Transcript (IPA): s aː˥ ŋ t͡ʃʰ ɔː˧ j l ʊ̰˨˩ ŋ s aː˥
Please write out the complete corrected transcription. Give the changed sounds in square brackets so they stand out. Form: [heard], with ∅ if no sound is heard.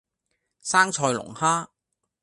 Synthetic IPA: s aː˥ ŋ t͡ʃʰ ɔː˧ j l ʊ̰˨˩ ŋ [h] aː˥